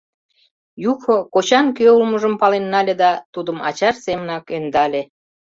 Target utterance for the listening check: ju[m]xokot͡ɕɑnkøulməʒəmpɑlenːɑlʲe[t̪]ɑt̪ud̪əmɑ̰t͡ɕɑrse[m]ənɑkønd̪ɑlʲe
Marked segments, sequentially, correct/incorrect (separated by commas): incorrect, incorrect, correct